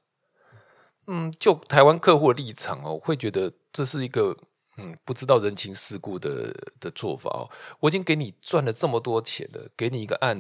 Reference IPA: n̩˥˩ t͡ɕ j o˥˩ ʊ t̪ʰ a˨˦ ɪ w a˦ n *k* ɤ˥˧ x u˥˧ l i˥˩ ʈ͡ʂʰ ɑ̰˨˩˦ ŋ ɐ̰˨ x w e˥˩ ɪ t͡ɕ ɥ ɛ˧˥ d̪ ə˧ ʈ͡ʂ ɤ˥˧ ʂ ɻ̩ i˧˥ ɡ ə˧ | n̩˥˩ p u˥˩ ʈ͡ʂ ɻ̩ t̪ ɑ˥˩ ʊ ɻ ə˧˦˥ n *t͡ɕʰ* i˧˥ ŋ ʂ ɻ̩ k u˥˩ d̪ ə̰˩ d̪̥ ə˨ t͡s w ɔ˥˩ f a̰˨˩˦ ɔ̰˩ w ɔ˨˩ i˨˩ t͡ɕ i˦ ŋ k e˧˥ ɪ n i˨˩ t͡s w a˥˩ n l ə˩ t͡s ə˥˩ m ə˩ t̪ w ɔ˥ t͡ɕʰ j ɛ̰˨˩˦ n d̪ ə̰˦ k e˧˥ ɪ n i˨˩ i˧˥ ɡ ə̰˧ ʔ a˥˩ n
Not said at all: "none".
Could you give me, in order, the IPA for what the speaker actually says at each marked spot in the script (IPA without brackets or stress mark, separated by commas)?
kʰ, t͡ɕʰ